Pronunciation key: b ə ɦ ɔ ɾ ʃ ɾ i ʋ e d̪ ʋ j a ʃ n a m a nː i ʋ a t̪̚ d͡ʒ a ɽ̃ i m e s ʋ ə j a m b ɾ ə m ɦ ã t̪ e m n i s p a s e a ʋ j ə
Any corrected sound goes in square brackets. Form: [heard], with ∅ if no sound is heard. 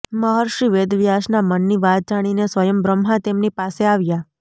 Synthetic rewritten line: [m] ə ɦ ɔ ɾ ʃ ɾ i ʋ e d̪ ʋ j a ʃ n a m [ə] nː i ʋ a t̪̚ d͡ʒ a ɽ̃ i [n] e s ʋ ə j [ə] m b ɾ ə m ɦ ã t̪ e m n i [∅] p a s e a ʋ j [a]